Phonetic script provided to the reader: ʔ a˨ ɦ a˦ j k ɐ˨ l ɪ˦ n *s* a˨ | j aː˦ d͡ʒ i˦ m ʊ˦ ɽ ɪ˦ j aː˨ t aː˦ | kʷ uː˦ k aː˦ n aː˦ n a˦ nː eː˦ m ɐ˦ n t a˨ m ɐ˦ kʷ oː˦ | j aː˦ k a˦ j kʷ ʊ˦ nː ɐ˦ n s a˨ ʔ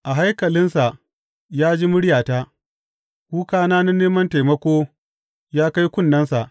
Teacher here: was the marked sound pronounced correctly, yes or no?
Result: yes